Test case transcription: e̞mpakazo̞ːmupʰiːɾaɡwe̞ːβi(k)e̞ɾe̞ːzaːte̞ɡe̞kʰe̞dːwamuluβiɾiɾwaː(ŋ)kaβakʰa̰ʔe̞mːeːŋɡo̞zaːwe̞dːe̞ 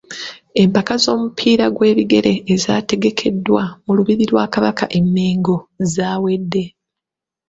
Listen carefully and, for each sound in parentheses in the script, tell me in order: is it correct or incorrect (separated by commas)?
incorrect, incorrect